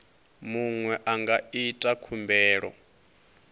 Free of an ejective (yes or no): no